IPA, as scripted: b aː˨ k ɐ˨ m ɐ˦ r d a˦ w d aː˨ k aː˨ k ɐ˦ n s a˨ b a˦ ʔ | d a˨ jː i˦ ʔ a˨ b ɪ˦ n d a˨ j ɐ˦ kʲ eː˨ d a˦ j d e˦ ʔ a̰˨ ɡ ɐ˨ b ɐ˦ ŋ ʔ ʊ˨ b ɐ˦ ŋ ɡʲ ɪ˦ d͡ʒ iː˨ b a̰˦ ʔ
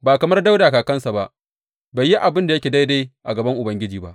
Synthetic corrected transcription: b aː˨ k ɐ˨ m ɐ˦ r d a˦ w d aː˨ k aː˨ k ɐ˦ n s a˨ b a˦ ʔ | b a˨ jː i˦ ʔ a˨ b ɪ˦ n d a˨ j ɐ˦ kʲ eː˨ d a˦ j d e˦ ʔ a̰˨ ɡ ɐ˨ b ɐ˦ ŋ ʔ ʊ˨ b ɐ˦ ŋ ɡʲ ɪ˦ d͡ʒ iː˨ b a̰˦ ʔ